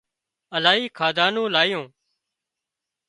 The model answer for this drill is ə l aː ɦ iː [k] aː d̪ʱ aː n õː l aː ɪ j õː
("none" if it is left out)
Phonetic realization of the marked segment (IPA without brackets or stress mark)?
kʰ